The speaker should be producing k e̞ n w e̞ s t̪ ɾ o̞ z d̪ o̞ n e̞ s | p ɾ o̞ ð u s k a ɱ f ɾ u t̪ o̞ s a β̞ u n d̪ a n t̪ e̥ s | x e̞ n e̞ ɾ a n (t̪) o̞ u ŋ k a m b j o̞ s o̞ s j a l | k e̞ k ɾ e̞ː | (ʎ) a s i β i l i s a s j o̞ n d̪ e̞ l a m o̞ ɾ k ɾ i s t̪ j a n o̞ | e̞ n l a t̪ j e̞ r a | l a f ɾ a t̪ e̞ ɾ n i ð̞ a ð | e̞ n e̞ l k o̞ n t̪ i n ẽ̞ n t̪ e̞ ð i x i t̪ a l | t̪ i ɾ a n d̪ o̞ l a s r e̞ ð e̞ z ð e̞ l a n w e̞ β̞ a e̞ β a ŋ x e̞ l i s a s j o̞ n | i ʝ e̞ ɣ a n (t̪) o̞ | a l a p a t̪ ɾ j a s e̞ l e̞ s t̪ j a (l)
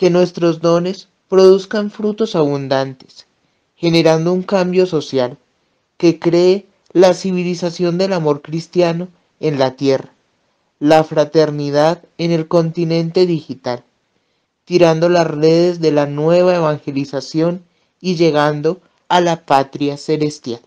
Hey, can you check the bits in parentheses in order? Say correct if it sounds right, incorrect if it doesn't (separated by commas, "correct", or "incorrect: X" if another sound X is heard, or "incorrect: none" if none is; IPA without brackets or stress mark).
incorrect: d̪, incorrect: l, incorrect: d̪, correct